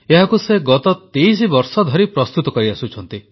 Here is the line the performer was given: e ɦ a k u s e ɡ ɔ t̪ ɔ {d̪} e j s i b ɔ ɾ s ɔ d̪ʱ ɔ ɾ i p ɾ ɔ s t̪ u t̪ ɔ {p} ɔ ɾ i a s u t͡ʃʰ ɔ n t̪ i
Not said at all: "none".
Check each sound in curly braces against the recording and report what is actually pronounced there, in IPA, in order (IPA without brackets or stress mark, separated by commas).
t̪, k